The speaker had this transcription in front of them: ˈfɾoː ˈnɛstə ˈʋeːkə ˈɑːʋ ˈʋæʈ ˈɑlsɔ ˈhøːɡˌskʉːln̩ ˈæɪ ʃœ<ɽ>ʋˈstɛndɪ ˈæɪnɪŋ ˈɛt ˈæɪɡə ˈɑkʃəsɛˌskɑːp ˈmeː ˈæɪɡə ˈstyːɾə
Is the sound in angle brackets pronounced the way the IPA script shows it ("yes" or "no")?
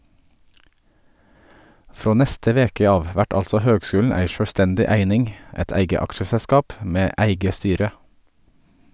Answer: yes